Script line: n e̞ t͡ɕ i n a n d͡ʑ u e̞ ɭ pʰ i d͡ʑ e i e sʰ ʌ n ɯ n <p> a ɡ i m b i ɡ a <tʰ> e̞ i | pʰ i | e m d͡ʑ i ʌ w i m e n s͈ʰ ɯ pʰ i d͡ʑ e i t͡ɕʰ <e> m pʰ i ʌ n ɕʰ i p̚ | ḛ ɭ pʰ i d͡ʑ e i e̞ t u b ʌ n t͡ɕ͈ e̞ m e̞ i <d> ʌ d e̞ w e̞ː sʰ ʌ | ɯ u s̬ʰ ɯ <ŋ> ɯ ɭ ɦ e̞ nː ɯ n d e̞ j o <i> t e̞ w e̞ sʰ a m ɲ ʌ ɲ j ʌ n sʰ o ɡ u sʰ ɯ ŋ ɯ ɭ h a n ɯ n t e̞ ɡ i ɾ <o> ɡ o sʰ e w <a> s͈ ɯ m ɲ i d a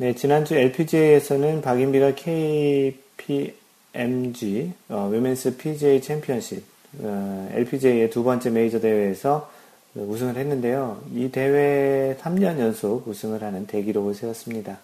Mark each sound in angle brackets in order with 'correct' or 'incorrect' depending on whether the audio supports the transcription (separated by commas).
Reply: correct, incorrect, correct, incorrect, correct, correct, correct, incorrect